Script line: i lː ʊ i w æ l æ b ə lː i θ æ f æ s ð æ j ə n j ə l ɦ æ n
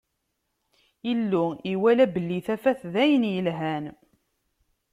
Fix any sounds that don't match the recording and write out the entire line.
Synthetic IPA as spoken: i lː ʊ i w æ l æ b ə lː i θ æ f æ θ ð æ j ə n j ə l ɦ æ n